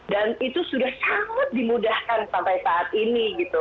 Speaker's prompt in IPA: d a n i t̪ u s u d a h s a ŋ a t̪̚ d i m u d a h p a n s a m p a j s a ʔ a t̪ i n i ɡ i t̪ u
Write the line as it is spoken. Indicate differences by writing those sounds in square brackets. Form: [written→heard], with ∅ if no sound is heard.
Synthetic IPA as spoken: d a n i t̪ u s u d a h s a ŋ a t̪̚ d i m u d a h [p→k] a n s a m p a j s a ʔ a t̪ i n i ɡ i t̪ u